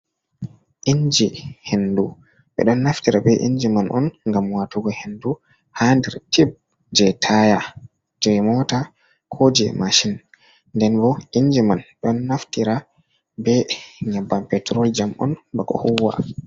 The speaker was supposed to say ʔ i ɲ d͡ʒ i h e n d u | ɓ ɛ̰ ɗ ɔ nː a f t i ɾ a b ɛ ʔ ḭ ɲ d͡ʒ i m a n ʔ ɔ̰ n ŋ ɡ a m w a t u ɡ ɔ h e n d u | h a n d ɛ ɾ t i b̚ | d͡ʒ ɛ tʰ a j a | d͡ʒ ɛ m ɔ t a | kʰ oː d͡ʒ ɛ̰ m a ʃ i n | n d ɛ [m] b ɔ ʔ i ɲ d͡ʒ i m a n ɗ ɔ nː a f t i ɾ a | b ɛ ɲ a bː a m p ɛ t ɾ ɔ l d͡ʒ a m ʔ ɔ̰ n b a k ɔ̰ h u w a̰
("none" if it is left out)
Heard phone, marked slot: n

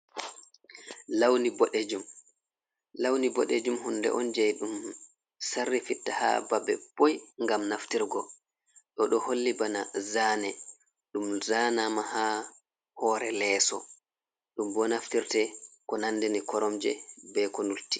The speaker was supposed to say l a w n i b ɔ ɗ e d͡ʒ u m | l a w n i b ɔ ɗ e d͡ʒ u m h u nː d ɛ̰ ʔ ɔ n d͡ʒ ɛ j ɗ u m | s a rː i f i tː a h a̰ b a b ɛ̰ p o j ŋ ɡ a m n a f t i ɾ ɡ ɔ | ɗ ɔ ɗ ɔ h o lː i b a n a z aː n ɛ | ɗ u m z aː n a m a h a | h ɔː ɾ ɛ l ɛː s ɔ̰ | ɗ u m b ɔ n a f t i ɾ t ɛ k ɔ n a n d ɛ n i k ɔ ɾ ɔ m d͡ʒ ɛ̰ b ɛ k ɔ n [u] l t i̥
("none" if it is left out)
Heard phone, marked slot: u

